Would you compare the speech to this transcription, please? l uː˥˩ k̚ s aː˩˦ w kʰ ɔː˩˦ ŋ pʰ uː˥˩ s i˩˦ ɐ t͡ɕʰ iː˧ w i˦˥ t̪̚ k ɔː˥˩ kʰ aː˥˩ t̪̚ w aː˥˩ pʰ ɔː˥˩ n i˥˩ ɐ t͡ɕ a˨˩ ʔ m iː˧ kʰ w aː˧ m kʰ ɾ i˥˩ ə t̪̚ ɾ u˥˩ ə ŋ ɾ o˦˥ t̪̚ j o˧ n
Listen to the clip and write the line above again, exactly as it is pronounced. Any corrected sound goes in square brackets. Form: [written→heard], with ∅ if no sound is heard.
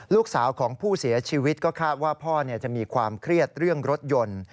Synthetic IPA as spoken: l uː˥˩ k̚ s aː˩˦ w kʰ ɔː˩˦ ŋ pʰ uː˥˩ s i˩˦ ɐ t͡ɕʰ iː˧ w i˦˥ t̪̚ k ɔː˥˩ kʰ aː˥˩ t̪̚ w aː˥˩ pʰ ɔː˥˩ n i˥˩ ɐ t͡ɕ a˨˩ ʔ m iː˧ kʰ w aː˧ m kʰ ɾ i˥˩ ə t̪̚ ɾ [u˥˩→ɯ˥˩] ə ŋ ɾ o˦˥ t̪̚ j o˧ n